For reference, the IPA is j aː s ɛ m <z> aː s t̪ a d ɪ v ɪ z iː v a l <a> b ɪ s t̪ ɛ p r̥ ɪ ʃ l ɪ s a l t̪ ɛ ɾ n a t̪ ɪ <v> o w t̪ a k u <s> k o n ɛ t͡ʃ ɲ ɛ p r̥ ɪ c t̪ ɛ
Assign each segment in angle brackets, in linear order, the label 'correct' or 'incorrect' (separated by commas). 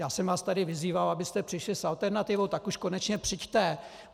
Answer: incorrect, correct, correct, incorrect